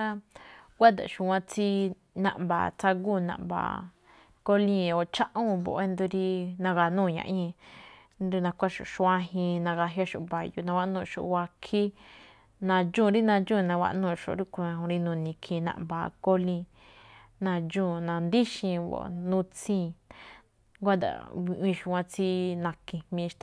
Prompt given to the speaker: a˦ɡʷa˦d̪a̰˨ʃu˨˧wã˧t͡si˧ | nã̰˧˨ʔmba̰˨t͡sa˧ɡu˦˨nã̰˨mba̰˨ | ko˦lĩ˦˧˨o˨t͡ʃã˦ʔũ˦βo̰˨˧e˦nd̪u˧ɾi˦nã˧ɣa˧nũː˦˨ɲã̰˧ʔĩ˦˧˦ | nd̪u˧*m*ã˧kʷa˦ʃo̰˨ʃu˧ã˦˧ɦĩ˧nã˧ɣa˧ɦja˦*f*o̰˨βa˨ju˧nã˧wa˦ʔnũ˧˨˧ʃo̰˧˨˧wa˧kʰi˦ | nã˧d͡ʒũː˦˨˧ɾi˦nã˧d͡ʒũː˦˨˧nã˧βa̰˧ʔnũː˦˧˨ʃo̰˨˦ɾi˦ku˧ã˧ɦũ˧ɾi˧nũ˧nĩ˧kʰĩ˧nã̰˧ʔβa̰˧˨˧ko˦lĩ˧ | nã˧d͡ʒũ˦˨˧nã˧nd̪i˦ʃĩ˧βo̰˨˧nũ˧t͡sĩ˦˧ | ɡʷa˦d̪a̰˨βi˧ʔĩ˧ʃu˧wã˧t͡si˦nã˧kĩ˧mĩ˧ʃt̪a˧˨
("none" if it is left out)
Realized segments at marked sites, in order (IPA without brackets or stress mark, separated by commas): n, ʃ